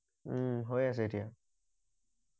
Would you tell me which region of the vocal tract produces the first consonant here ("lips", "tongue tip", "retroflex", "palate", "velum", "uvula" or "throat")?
throat